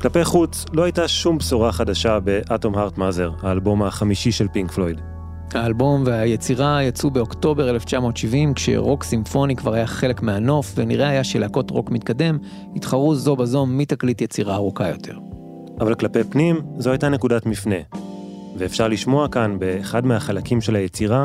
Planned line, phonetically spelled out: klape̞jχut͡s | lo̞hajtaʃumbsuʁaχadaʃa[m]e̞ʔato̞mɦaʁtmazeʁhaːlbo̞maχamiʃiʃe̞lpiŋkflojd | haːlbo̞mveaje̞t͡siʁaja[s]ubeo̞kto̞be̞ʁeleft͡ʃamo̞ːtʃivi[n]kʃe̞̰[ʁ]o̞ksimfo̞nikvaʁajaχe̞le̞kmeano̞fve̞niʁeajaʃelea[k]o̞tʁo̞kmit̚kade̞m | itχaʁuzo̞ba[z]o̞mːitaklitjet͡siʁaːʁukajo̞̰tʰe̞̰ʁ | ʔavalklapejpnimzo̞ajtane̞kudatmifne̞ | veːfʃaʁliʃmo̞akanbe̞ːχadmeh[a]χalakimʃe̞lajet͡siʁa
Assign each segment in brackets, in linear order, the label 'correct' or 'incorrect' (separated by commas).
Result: incorrect, incorrect, incorrect, correct, correct, correct, correct